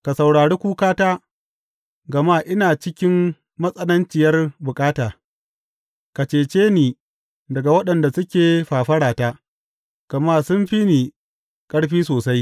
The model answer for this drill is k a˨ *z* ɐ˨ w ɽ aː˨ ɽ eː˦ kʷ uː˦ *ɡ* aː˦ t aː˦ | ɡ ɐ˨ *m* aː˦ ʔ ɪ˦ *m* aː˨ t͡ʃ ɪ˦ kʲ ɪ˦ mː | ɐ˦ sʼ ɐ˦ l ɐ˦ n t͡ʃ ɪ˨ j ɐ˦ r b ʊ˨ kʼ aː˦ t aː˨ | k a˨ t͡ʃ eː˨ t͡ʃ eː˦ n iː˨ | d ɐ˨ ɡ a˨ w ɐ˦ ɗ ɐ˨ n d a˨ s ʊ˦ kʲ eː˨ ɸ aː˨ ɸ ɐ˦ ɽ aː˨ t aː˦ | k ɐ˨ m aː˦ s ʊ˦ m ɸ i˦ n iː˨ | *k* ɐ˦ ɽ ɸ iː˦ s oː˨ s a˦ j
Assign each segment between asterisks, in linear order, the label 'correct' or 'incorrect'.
incorrect: s, incorrect: k, correct, incorrect: n, incorrect: kʼ

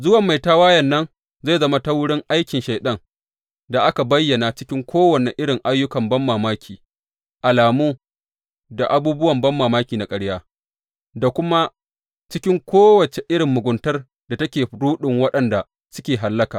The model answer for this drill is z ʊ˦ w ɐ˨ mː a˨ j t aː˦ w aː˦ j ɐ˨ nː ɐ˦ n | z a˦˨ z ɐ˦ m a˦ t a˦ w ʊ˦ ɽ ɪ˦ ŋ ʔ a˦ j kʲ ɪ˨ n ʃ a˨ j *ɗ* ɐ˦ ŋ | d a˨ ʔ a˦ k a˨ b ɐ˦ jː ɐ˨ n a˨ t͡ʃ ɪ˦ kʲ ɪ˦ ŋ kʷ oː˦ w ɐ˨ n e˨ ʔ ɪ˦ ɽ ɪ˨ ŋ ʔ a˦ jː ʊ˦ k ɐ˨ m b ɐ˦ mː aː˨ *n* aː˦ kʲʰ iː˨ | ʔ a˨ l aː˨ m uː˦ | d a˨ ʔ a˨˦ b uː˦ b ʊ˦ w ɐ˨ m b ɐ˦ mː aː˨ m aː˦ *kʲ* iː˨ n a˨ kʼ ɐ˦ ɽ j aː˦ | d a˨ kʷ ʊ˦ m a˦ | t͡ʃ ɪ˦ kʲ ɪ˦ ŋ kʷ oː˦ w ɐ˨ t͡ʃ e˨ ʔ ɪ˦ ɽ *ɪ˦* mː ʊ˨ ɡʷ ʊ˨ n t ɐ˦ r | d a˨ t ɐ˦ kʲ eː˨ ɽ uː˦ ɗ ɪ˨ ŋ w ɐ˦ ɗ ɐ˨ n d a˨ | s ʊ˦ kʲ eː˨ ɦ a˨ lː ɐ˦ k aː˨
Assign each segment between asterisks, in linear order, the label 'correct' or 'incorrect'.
correct, incorrect: m, correct, incorrect: ɪ˨

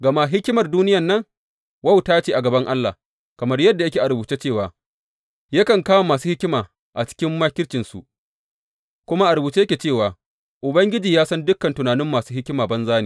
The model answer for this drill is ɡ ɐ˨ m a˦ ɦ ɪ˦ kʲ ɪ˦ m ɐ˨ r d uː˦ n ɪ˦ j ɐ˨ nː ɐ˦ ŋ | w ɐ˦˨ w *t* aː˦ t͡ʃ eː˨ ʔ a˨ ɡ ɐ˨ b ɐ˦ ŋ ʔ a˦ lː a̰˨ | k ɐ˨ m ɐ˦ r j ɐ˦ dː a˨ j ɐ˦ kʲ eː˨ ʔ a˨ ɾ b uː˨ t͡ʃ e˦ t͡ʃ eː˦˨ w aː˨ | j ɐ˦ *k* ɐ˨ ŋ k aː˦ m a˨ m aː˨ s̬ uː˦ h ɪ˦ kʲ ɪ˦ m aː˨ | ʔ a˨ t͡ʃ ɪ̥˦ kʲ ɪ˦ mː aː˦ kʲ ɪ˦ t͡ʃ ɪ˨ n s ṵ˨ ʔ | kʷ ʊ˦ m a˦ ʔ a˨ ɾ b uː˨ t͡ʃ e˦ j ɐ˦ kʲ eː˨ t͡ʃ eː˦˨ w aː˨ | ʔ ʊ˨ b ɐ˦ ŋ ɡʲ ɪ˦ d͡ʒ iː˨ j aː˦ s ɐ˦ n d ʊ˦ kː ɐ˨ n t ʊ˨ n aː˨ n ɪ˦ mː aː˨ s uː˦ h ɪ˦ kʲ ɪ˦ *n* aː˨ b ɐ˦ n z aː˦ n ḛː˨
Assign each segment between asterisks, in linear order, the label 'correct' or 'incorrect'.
correct, correct, incorrect: m

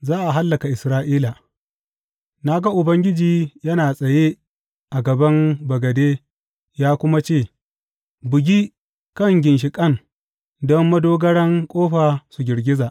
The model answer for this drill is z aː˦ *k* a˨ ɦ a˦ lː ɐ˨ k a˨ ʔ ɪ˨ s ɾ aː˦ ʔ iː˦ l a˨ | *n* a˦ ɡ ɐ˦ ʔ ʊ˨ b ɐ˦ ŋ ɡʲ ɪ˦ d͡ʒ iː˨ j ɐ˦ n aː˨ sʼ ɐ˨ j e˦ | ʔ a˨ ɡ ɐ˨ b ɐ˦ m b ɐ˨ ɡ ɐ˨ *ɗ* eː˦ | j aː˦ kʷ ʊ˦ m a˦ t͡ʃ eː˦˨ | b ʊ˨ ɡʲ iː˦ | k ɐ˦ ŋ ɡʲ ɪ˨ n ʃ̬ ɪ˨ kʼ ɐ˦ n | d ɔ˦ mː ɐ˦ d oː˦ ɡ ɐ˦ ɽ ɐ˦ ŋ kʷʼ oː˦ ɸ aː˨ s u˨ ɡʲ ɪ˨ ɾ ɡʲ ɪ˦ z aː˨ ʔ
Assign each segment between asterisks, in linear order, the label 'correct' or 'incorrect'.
incorrect: ʔ, correct, incorrect: d

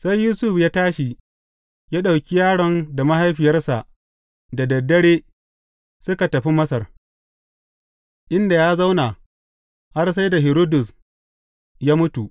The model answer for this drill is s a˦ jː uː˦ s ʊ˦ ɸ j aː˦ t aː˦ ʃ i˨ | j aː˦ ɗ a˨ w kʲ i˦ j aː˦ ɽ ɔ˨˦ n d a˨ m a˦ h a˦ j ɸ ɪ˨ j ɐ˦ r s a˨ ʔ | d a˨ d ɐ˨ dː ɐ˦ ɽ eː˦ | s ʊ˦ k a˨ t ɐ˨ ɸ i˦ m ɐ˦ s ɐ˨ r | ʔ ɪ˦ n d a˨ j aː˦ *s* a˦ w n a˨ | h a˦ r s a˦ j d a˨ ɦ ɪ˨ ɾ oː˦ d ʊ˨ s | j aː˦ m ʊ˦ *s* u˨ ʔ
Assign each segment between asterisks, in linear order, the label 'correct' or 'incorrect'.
incorrect: z, incorrect: t

